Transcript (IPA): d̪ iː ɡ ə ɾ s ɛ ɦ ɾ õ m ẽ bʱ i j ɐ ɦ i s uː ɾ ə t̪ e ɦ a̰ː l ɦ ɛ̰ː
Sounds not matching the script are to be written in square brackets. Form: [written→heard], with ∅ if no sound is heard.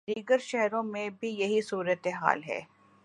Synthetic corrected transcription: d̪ iː ɡ ə ɾ [s→ʃ] ɛ ɦ ɾ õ m ẽ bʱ i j ɐ ɦ i s uː ɾ ə t̪ e ɦ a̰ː l ɦ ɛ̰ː